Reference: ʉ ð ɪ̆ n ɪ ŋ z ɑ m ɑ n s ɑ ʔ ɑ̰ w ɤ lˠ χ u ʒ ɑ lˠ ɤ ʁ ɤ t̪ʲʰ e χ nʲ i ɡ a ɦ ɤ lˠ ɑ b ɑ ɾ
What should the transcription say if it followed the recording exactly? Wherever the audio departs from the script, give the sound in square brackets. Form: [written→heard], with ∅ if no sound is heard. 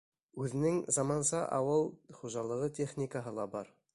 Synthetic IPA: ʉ ð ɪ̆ n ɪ ŋ z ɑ m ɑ n s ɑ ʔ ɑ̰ w ɤ lˠ χ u ʒ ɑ lˠ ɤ ʁ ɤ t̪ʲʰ e χ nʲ i [ɡ→k] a ɦ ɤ lˠ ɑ b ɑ ɾ